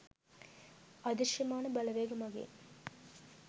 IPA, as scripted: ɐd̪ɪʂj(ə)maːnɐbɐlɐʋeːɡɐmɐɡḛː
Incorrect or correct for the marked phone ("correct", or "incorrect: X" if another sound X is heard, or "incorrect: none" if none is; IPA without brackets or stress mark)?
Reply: incorrect: ɐ